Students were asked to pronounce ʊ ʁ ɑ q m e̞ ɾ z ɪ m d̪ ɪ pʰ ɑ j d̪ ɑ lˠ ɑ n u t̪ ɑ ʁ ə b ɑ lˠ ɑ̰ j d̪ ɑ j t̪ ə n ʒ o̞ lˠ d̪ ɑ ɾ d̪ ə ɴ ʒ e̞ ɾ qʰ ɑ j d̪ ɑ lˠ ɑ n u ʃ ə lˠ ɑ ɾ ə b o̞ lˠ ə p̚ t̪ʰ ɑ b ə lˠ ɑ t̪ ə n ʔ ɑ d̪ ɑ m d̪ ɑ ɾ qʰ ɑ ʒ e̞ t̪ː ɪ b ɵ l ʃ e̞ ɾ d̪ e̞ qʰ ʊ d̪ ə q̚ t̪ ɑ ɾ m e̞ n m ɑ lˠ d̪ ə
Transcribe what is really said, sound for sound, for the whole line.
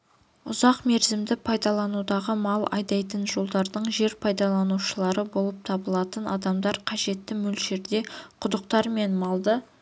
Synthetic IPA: ʊ z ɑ q m e̞ ɾ z ɪ m d̪ ɪ pʰ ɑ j d̪ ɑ lˠ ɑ n u d̪ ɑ ʁ ə m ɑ lˠ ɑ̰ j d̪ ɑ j t̪ ə n ʒ o̞ lˠ d̪ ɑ ɾ d̪ ə ɴ ʒ e̞ ɾ pʰ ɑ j d̪ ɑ lˠ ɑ n u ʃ ə lˠ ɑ ɾ ə b o̞ lˠ ə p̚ t̪ʰ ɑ b ə lˠ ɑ t̪ ə n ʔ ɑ d̪ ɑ m d̪ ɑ ɾ qʰ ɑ ʒ e̞ t̪ː ɪ m ɵ l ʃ e̞ ɾ d̪ e̞ qʰ ʊ d̪ ə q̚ t̪ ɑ ɾ m e̞ n m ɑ lˠ d̪ ə

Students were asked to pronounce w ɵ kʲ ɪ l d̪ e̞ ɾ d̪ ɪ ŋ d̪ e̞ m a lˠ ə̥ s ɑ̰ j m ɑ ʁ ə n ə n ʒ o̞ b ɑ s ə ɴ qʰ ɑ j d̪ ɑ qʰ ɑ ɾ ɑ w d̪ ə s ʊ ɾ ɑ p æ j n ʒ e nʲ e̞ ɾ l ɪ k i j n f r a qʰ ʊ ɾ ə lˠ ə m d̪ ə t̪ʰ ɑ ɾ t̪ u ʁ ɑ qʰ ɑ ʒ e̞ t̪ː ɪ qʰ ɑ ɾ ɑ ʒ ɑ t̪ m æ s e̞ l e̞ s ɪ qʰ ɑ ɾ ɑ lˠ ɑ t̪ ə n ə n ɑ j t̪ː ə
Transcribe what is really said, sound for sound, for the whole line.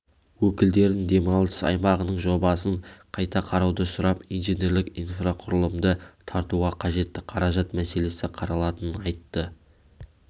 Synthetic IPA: w ɵ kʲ ɪ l d̪ e̞ ɾ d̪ ɪ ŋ d̪ e̞ m ɑ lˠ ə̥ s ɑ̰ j m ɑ ʁ ə n ə ɴ ʒ o̞ b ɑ s ə ɴ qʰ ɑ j t̪ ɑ qʰ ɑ ɾ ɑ w d̪ ə s ʊ ɾ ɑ p i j n ʒ e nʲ e̞ ɾ l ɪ k i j n f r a qʰ ʊ ɾ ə lˠ ə m d̪ ə t̪ʰ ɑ ɾ t̪ u ʁ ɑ qʰ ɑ ʒ e̞ t̪ː ɪ qʰ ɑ ɾ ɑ ʒ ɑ t̪ m æ s e̞ l e̞ s ɪ qʰ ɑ ɾ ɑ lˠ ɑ t̪ ə n ə n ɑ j t̪ː ə

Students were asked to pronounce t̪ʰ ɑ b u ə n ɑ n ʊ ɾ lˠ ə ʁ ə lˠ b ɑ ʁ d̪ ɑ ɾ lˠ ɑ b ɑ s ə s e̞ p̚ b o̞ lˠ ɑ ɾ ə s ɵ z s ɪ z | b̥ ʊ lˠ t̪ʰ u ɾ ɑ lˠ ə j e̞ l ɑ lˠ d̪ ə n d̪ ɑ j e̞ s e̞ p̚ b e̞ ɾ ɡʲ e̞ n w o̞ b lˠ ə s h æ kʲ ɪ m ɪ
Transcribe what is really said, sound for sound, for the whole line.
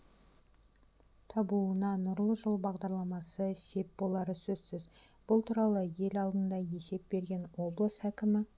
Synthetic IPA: t̪ʰ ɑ b u ə n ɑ n ʊ ɾ lˠ ə ʒ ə lˠ b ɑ ʁ d̪ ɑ ɾ lˠ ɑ m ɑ s ə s e̞ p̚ b o̞ lˠ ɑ ɾ ə s ɵ z s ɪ z | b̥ ʊ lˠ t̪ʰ u ɾ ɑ lˠ ə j e̞ l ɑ lˠ d̪ ə n d̪ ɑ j e̞ s e̞ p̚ b e̞ ɾ ɡʲ e̞ n w o̞ b lˠ ə s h æ kʲ ɪ m ɪ

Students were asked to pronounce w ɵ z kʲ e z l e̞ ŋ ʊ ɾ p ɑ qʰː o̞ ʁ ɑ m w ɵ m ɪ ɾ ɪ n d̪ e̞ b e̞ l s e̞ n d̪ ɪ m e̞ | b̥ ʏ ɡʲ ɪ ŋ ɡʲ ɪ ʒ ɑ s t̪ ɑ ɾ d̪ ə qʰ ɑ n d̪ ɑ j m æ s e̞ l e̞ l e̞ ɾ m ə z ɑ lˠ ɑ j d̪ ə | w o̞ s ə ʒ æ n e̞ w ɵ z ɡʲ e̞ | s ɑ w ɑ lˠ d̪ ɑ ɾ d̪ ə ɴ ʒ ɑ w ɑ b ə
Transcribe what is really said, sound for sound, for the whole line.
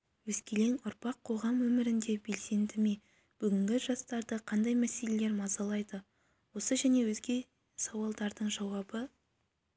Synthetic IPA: w ɵ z kʲ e l e̞ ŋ ʊ ɾ p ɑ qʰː o̞ ʁ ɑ m w ɵ m ɪ ɾ ɪ n d̪ e̞ b e̞ l s e̞ n d̪ ɪ m e̞ | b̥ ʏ ɡʲ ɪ ŋ ɡʲ ɪ ʒ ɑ s t̪ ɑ ɾ d̪ ə qʰ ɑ n d̪ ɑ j m æ s e̞ l e̞ l e̞ ɾ m ɑ z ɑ lˠ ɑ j d̪ ə | w o̞ s ə ʒ æ n e̞ w ɵ z ɡʲ e̞ | s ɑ w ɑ lˠ d̪ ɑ ɾ d̪ ə ɴ ʒ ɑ w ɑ b ə

